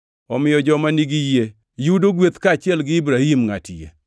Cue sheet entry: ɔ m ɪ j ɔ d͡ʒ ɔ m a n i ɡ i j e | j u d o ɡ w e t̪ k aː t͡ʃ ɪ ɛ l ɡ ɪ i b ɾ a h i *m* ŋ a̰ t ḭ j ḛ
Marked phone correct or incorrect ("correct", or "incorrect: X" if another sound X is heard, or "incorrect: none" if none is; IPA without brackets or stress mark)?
correct